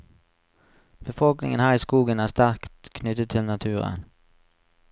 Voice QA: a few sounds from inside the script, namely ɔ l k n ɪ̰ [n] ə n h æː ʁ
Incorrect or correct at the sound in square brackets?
incorrect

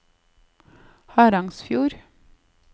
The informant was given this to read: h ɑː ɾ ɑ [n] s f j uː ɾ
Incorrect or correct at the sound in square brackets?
incorrect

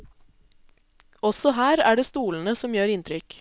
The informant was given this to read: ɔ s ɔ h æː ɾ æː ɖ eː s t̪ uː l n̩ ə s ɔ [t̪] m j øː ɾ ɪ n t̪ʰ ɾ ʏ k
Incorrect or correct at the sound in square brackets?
incorrect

